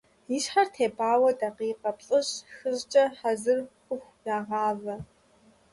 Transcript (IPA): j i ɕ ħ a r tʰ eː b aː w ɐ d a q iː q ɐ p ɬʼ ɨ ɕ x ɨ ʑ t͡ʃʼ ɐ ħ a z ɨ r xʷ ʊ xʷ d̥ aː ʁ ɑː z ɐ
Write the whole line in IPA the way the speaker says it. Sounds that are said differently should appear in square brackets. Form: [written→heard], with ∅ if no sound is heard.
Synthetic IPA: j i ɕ ħ a r tʰ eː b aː w ɐ d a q iː q ɐ p ɬʼ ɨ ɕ x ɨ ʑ t͡ʃʼ ɐ ħ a z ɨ r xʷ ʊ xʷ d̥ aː ʁ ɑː [z→v] ɐ